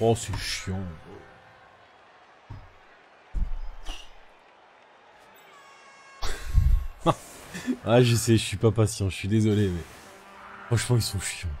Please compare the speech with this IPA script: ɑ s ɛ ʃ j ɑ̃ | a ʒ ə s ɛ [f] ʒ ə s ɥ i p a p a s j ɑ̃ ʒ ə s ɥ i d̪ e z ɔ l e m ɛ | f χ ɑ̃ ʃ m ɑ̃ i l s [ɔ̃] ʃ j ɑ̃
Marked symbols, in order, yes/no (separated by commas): no, yes